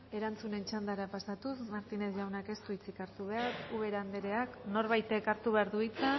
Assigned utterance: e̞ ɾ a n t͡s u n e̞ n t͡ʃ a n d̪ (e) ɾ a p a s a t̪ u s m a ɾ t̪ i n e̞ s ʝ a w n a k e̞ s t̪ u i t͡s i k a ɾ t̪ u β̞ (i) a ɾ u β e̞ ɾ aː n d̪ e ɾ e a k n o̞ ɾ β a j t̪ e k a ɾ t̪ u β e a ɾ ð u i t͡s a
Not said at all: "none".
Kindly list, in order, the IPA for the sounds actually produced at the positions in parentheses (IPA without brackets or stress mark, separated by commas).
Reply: a, e